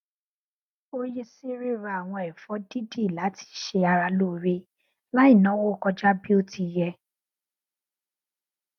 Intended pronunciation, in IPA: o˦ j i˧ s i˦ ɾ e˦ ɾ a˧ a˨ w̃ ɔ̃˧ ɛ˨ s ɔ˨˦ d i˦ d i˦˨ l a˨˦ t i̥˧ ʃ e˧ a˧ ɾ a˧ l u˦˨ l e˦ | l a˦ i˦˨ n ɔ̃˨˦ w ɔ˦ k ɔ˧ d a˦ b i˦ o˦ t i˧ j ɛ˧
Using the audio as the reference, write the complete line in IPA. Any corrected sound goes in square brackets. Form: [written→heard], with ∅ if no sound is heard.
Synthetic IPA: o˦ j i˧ s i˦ ɾ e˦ ɾ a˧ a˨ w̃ ɔ̃˧ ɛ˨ [s→f] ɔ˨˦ d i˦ d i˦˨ l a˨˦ t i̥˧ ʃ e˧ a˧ ɾ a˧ l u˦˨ [l→ɾ] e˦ | l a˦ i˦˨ n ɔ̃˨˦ w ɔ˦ k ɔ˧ [d→d͡ʒ] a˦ b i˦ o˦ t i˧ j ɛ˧